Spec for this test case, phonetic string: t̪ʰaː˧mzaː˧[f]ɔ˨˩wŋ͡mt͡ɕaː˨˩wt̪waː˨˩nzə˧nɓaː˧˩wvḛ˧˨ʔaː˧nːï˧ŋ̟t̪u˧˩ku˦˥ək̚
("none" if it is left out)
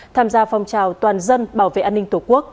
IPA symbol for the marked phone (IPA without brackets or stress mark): f